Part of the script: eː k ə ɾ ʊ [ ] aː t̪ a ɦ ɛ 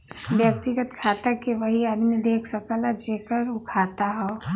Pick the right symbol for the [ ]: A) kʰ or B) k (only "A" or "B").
A